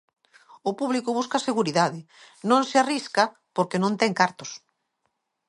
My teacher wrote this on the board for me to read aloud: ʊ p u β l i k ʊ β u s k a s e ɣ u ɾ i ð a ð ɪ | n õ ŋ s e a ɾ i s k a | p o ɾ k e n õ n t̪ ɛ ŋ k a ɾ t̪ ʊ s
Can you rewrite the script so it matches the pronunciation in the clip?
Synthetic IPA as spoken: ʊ p u β l i k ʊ β u s k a s e ɣ u ɾ i ð a ð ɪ | n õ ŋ s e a r i s k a | p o ɾ k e n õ n t̪ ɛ ŋ k a ɾ t̪ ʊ s